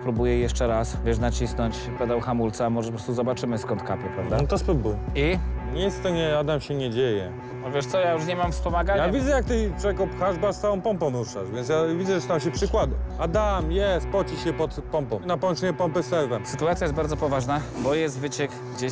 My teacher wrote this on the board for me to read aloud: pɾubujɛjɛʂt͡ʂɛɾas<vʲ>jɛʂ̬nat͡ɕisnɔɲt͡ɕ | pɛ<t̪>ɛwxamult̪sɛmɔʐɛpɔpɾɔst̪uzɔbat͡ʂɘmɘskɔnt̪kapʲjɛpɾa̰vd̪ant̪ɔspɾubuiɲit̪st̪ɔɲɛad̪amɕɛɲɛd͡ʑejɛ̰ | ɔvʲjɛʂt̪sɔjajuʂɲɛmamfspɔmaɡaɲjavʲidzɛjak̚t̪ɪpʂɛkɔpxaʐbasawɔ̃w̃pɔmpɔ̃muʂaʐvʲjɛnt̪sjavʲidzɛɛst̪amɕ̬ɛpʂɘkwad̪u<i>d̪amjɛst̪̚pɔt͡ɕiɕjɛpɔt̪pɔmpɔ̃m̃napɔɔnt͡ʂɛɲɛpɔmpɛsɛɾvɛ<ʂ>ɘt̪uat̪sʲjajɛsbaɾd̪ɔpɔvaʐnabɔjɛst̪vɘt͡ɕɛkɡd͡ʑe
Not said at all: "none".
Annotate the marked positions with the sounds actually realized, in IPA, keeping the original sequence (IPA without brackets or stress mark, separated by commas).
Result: vʲ, d̪, a, s